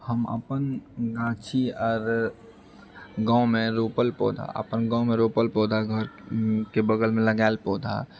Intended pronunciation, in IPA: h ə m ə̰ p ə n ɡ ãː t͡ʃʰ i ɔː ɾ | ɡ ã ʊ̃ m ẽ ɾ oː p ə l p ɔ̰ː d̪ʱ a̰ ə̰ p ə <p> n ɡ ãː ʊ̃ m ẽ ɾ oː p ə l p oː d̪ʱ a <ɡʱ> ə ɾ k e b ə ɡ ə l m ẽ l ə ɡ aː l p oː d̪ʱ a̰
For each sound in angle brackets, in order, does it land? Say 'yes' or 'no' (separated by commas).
no, yes